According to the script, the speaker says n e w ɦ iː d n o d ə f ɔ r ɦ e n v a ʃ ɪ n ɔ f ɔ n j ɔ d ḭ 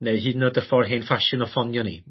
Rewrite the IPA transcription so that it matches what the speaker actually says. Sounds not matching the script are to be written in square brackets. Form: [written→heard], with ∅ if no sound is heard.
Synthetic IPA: n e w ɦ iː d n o d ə f ɔ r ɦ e n [v→f] a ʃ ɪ n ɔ f ɔ n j ɔ [d→n] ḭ